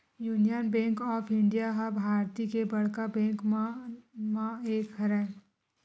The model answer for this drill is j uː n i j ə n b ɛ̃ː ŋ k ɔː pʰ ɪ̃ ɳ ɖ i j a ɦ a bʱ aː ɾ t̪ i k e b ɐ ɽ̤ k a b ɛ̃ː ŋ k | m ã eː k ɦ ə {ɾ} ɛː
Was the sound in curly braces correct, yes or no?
yes